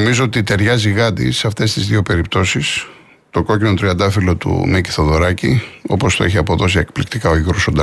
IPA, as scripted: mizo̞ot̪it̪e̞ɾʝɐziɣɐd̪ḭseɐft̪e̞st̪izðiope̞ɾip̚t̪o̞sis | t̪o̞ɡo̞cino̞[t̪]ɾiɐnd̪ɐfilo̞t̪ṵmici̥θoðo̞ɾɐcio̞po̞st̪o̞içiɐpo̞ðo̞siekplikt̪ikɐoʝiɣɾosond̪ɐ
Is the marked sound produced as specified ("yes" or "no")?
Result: yes